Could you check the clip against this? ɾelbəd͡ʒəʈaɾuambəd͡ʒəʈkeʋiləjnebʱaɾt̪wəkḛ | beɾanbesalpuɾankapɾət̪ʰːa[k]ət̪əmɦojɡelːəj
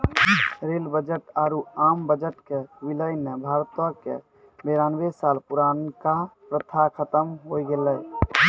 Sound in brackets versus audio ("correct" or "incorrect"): incorrect